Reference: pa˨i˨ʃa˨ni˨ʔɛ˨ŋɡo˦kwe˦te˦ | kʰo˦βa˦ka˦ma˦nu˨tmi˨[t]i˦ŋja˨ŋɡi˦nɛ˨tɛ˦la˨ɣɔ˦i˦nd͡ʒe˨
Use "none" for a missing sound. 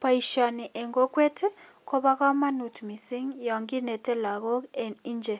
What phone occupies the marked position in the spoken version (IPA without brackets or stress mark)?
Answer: s